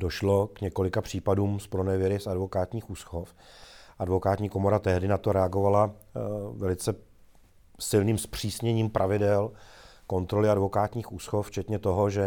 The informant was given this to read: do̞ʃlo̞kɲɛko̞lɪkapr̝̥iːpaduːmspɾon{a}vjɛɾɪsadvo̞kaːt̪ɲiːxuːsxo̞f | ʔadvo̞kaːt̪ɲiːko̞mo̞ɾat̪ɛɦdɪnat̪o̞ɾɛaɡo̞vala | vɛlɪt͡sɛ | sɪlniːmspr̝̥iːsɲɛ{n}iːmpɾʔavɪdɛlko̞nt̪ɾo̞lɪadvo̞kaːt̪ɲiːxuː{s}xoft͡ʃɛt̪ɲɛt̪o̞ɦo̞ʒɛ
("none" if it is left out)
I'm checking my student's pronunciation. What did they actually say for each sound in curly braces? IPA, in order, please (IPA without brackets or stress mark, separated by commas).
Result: ɛ, ɲ, s